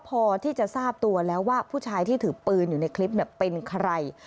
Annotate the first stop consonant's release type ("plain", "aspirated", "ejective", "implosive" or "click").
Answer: aspirated